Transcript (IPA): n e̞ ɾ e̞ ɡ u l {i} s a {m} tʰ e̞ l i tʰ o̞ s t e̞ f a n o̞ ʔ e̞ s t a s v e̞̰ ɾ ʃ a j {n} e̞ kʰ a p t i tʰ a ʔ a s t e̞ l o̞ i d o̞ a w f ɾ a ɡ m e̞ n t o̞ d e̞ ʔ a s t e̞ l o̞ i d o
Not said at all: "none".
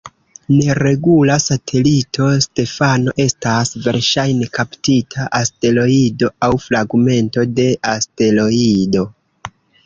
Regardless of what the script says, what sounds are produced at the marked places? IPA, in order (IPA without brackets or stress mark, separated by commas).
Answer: a, none, n